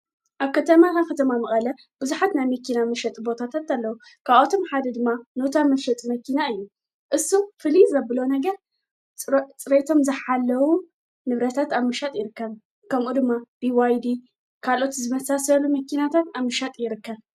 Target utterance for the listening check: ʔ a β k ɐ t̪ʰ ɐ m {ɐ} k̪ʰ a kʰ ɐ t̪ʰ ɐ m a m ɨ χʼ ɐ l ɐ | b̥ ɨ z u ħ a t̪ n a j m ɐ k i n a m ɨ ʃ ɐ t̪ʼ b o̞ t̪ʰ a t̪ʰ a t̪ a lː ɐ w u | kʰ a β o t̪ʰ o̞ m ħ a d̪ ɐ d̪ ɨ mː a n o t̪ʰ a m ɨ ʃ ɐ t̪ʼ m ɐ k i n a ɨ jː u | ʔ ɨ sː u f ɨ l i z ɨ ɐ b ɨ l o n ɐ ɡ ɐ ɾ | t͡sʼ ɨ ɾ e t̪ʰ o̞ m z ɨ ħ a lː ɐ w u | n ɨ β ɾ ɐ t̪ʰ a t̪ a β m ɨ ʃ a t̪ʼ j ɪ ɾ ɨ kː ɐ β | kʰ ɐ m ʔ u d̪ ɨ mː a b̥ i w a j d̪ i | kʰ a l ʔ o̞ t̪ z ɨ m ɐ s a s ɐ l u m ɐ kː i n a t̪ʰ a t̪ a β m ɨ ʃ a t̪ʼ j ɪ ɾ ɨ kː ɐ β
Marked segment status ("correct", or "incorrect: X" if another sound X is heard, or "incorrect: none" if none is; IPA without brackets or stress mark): incorrect: a